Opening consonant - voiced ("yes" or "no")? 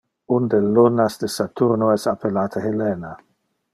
yes